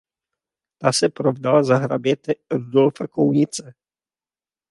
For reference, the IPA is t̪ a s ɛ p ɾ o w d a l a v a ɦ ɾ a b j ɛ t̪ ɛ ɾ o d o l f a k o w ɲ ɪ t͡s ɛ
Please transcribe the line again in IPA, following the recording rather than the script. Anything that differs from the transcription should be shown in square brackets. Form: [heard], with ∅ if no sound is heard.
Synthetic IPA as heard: t̪ a s ɛ p ɾ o [v] d a l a [z] a ɦ ɾ a b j ɛ t̪ ɛ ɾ [u] d o l f a k o w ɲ ɪ t͡s ɛ